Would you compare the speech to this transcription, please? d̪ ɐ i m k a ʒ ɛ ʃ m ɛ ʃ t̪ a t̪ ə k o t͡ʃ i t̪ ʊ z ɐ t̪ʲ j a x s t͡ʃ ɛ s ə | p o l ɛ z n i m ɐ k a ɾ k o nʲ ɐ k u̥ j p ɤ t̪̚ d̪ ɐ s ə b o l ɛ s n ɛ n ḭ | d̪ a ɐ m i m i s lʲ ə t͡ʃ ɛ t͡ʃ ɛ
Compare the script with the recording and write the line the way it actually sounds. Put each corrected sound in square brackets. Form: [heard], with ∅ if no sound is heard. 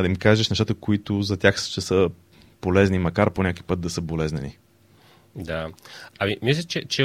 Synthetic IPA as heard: d̪ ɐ i m k a ʒ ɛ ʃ [n] ɛ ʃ t̪ a t̪ ə k o [∅] i t̪ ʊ z ɐ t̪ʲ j a x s t͡ʃ ɛ s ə | p o l ɛ z n i m ɐ k a ɾ [p] o nʲ [a] k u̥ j p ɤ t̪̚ d̪ ɐ s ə b o l ɛ [z] n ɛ n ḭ | d̪ a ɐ m i m i s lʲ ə t͡ʃ ɛ t͡ʃ ɛ